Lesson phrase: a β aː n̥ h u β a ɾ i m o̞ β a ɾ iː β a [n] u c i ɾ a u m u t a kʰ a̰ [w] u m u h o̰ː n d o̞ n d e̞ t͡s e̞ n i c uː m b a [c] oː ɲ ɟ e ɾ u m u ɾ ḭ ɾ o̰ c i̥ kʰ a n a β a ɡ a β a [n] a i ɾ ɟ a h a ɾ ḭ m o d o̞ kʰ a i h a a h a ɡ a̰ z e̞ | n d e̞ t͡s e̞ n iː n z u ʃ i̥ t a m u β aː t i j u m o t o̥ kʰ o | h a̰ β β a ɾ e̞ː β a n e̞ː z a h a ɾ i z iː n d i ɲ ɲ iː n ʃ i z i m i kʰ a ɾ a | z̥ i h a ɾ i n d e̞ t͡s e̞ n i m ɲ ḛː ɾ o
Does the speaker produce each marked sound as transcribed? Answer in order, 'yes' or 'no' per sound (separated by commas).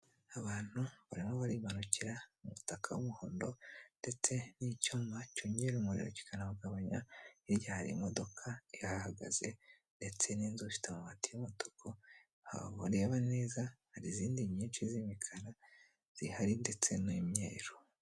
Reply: yes, yes, yes, no